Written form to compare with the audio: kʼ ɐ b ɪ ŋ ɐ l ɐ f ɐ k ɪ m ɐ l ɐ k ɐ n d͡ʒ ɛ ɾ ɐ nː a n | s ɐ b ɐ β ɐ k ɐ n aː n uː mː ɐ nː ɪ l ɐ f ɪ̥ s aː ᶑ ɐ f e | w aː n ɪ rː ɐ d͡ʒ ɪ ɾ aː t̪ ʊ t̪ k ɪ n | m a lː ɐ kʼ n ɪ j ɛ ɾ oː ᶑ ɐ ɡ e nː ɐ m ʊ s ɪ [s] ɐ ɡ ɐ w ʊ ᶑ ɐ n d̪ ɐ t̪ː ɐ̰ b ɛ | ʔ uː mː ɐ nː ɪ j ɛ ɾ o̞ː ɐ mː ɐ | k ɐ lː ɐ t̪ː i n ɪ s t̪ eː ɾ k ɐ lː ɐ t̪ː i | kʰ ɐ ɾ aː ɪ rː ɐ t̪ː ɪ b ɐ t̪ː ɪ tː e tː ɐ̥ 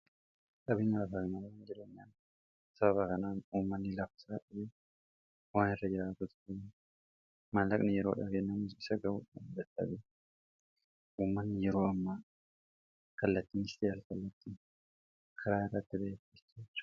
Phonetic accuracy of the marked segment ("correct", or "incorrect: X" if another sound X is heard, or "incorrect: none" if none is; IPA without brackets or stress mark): correct